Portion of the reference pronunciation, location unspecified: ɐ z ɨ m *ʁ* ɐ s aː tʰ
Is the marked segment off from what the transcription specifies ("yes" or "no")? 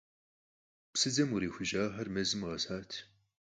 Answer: no